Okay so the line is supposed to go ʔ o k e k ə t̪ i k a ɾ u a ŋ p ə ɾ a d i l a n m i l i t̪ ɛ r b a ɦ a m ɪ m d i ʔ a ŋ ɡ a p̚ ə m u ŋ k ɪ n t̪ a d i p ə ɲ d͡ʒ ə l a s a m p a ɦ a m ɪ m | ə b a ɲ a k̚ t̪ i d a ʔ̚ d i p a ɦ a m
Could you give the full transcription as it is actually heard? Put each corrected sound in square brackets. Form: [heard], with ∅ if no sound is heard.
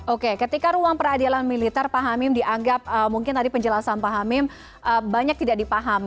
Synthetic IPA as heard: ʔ o k e k ə t̪ i k a ɾ u a ŋ p ə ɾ a d i l a n m i l i t̪ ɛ r [p] a ɦ a m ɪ m d i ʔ a ŋ ɡ a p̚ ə m u ŋ k ɪ n t̪ a d i p ə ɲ d͡ʒ ə l a s a [n] p a ɦ a m ɪ m | ə b a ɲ a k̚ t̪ i d a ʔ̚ d i p a ɦ a m